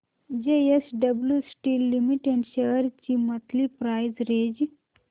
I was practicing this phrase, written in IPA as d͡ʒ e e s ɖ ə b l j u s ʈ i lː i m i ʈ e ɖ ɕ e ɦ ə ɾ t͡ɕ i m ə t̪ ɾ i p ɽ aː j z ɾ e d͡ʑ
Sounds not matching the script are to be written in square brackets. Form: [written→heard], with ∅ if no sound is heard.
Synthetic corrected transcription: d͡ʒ e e s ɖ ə b l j u s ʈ i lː i m i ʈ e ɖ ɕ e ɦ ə ɾ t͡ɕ i m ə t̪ [ɾ→l] i p [ɽ→ɾ] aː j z ɾ e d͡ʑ